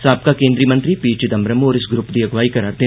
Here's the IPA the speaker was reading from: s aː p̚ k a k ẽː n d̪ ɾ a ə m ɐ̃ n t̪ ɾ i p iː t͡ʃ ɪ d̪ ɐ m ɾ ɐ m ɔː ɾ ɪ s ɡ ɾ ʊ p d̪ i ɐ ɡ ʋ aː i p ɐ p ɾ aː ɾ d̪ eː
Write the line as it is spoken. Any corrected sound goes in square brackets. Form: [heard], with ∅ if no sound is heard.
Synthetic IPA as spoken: s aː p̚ k a k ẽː n d̪ ɾ [i] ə m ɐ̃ n t̪ ɾ i p iː t͡ʃ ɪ d̪ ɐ m ɾ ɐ m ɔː ɾ ɪ s ɡ ɾ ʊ p d̪ i ɐ ɡ ʋ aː i [k] ɐ [∅] ɾ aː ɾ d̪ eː